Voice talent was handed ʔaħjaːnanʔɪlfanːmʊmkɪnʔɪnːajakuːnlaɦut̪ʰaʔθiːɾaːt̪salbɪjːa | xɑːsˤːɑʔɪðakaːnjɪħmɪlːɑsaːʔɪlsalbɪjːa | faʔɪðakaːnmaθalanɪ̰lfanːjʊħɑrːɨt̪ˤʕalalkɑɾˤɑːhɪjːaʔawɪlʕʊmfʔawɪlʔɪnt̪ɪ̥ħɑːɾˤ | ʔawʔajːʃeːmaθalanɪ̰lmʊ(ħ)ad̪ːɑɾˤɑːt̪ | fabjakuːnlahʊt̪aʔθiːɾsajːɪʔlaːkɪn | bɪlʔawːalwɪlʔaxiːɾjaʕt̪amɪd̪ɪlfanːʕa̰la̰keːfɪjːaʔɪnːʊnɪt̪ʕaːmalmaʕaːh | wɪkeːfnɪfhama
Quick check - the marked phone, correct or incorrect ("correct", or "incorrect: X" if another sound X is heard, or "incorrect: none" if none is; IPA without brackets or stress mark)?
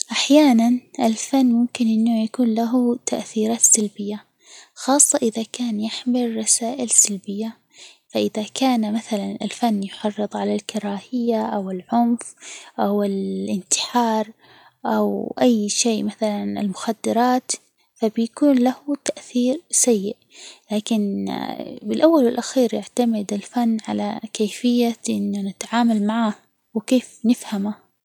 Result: incorrect: x